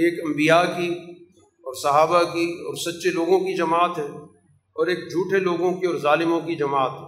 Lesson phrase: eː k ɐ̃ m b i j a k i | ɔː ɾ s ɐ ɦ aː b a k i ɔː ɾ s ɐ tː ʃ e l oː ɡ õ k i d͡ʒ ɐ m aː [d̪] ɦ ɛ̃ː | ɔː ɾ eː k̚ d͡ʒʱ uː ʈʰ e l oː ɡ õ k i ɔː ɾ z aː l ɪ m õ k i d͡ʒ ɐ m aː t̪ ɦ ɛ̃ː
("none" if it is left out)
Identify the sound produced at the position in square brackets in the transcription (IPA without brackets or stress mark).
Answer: t̪